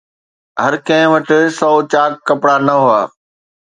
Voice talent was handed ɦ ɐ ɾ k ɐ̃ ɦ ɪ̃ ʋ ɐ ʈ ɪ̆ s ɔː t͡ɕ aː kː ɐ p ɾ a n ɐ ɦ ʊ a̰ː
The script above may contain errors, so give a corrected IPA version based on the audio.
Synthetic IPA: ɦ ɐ ɾ k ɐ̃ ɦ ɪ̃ ʋ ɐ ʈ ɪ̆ s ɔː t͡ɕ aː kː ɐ p ɽ a n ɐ ɦ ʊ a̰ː

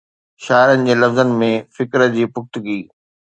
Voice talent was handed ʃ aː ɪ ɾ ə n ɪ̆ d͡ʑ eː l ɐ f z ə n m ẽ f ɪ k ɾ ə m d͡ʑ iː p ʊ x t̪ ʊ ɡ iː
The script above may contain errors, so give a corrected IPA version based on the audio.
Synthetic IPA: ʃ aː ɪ ɾ ə n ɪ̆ d͡ʑ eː l ɐ f z ə n m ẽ f ɪ k ɾ ə d͡ʑ iː p ʊ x t̪ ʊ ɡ iː

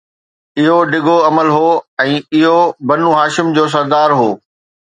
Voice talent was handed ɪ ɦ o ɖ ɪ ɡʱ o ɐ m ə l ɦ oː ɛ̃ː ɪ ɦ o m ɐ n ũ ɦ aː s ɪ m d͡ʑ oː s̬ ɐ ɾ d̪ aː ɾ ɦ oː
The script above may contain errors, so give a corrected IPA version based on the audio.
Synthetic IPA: ɪ ɦ o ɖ ɪ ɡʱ o ɐ m ə l ɦ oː ɛ̃ː ɪ ɦ o b ɐ n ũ ɦ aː ʃ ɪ m d͡ʑ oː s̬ ɐ ɾ d̪ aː ɾ ɦ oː

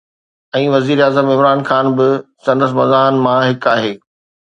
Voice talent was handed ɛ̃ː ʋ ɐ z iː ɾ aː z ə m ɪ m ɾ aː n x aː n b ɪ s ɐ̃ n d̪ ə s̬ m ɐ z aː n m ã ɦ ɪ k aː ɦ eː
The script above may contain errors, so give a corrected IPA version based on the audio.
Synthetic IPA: ɛ̃ː ʋ ɐ z iː ɾ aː z ə m ɪ m ɾ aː n x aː n b ɪ s ɐ̃ n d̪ ə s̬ m ɐ z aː n m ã ɦ ɪ k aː ɦ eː

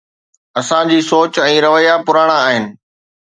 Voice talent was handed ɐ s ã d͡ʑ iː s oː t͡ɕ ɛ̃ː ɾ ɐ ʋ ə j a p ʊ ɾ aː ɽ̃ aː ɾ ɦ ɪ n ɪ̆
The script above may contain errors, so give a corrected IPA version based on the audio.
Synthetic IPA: ɐ s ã d͡ʑ iː s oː t͡ɕ ɛ̃ː ɾ ɐ ʋ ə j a p ʊ ɾ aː ɽ̃ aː ɦ ɪ n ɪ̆

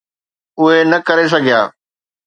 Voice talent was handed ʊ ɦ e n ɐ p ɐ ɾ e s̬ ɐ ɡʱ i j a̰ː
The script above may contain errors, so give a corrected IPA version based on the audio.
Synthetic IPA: ʊ ɦ e n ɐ k ɐ ɾ e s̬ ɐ ɡʱ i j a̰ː

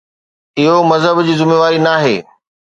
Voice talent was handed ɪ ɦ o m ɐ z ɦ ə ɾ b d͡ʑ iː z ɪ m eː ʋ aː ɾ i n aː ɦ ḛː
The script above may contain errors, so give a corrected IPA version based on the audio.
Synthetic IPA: ɪ ɦ o m ɐ z ɦ ə b d͡ʑ iː z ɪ m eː ʋ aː ɾ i n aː ɦ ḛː

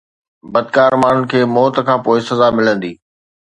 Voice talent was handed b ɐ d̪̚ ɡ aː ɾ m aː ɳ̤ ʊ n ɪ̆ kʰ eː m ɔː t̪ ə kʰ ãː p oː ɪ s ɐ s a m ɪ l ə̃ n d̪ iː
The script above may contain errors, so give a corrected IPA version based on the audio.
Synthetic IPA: b ɐ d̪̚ k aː ɾ m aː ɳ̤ ʊ n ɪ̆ kʰ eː m ɔː t̪ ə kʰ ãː p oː ɪ s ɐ z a m ɪ l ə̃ n d̪ iː

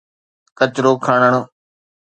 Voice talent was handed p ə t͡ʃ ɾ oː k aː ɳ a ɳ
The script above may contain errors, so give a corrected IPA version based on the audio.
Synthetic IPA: k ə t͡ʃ ɾ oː kʰ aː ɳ ə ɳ

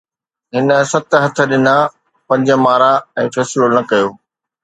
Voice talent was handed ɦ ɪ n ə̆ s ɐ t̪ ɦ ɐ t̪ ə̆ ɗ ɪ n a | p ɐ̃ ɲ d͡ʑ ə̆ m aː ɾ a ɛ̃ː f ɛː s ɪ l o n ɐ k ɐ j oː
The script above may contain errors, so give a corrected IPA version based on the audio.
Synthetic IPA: ɦ ɪ n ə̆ s ɐ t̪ ɦ ɐ t̪ʰ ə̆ ɗ ɪ n a | p ɐ̃ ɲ d͡ʑ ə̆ m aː ɾ a ɛ̃ː f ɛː s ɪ l o n ɐ k ɐ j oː

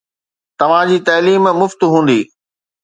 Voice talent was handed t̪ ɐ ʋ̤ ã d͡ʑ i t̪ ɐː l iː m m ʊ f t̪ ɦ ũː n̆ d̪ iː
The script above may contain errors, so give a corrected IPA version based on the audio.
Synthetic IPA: t̪ ɐ ʋ̤ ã d͡ʑ iː t̪ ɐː l iː m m ʊ f t̪ ɦ ũː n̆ d̪ iː

